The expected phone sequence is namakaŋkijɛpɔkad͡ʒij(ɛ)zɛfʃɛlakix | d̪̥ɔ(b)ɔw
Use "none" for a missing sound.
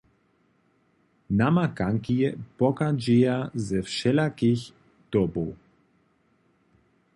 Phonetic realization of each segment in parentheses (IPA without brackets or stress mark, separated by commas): a, b